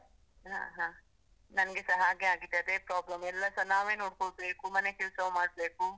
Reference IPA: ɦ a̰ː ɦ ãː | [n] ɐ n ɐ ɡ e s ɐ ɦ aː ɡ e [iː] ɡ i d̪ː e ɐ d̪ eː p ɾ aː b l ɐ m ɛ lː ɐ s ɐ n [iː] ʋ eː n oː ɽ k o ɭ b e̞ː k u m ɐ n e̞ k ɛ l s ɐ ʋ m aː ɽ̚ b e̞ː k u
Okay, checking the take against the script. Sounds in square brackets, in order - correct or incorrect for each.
correct, incorrect, incorrect

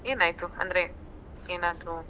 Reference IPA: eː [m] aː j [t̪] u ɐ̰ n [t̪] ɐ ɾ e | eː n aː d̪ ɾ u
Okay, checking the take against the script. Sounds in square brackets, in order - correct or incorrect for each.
incorrect, correct, incorrect

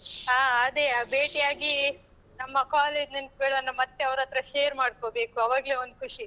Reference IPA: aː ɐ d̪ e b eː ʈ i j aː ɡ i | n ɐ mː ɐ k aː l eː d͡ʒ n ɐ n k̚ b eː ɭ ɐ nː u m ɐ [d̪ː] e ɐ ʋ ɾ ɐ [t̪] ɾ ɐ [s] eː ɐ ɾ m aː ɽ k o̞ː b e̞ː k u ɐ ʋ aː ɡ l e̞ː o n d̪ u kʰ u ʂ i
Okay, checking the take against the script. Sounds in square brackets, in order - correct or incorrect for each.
incorrect, correct, incorrect

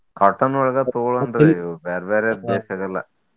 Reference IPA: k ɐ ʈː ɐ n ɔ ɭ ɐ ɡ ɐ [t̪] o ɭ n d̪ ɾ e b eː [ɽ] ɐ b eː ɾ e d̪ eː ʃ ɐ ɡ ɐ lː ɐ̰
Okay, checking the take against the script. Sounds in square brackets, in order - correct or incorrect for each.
correct, incorrect

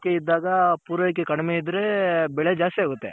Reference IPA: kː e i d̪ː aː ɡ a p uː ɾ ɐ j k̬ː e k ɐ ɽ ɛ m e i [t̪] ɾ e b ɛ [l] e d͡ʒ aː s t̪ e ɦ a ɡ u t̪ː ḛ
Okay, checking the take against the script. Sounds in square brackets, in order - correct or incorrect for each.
incorrect, incorrect

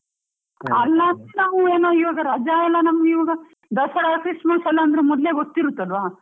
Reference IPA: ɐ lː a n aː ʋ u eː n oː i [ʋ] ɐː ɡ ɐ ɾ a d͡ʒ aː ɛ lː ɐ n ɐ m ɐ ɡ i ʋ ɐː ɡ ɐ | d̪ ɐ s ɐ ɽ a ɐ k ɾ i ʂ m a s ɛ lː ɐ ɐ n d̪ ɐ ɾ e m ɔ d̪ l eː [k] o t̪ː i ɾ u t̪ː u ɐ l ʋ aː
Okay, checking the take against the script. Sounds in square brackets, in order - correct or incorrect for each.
correct, incorrect

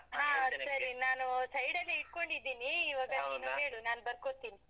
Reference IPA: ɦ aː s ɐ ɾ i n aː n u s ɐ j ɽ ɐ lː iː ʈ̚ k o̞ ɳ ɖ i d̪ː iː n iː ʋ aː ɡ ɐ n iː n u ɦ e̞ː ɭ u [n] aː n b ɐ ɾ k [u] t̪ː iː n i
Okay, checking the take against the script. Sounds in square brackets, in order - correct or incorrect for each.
correct, incorrect

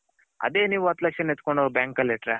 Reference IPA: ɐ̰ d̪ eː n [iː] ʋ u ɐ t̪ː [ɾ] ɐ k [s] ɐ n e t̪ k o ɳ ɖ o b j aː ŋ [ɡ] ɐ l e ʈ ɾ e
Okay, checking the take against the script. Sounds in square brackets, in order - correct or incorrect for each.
correct, incorrect, incorrect, incorrect

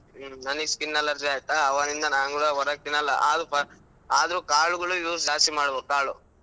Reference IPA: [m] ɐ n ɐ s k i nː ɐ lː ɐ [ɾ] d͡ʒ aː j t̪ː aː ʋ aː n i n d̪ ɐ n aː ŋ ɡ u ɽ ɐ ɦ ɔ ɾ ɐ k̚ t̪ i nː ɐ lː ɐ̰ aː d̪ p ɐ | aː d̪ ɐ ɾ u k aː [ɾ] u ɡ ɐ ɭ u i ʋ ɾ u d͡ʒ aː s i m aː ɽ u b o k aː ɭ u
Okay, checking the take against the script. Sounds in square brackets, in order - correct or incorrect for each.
incorrect, correct, incorrect

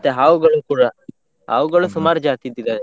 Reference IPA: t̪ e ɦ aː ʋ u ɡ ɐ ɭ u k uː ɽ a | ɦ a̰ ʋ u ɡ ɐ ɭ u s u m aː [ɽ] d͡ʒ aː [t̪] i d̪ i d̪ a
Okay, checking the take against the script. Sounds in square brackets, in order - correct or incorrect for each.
incorrect, correct

